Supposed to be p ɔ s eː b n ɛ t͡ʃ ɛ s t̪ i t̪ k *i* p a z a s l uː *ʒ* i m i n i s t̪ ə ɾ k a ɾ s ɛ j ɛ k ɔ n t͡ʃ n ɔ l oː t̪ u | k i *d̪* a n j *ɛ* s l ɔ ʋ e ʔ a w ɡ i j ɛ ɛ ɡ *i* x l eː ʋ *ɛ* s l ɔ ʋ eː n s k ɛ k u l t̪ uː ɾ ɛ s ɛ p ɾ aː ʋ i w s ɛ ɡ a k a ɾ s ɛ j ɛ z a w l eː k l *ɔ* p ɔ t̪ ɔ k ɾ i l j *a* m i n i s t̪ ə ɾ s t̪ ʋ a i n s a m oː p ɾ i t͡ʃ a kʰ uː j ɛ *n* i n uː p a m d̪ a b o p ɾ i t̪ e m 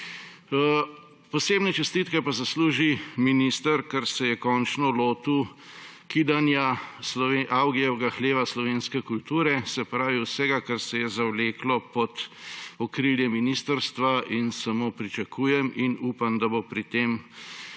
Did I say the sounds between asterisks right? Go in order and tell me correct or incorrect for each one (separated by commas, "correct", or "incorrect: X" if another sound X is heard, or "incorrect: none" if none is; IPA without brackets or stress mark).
incorrect: ɛ, correct, correct, incorrect: a, incorrect: a, incorrect: a, correct, incorrect: ɛ, incorrect: m